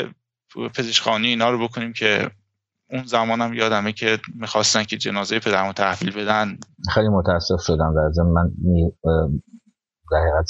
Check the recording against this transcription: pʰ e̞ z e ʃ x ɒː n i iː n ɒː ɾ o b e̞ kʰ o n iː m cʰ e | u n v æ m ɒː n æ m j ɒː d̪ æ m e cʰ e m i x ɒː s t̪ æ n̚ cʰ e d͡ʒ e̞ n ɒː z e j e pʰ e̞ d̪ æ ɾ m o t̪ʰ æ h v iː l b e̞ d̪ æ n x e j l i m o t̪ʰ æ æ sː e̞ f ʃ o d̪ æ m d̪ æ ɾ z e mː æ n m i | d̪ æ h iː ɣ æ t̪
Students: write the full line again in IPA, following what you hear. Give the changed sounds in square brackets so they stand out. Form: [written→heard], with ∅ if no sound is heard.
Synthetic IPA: pʰ e̞ z e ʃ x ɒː n i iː n ɒː ɾ o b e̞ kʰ o n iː m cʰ e | u n [v→z] æ m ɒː n æ m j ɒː d̪ æ m e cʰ e m i x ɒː s t̪ æ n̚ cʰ e d͡ʒ e̞ n ɒː z e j e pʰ e̞ d̪ æ ɾ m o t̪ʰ æ h v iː l b e̞ d̪ æ n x e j l i m o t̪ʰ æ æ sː e̞ f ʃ o d̪ æ m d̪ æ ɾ z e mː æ n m i | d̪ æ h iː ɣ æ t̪